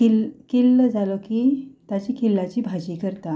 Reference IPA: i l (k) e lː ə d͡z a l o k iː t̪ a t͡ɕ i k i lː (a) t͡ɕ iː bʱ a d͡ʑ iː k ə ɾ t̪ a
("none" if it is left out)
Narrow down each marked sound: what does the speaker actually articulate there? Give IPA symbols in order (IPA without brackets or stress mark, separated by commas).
k, a